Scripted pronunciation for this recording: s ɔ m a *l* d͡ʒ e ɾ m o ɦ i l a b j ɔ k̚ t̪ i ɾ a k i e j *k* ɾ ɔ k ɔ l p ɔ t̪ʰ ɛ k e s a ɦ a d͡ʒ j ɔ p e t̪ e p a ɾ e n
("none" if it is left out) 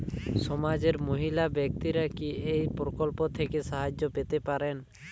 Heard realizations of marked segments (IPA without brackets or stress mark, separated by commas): none, p